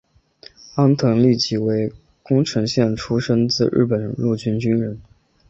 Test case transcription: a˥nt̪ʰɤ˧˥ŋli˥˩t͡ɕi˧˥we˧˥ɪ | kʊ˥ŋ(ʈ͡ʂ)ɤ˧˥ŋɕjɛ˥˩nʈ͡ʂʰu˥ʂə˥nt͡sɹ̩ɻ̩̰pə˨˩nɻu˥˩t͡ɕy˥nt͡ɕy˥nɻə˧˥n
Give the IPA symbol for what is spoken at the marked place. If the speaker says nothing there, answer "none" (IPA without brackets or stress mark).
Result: ʈ͡ʂʰ